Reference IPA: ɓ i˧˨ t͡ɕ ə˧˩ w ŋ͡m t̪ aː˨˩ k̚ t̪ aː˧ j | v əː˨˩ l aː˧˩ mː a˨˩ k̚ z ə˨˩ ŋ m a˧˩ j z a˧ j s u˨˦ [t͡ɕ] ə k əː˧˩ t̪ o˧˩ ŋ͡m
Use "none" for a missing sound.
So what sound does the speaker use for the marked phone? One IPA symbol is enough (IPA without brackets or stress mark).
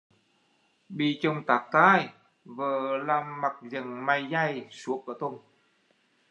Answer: none